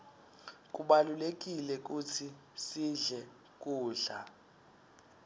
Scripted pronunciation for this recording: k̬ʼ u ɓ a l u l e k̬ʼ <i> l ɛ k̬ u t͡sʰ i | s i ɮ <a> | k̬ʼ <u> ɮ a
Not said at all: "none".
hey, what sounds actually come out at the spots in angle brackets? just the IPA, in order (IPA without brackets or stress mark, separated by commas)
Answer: i, ɛ, uː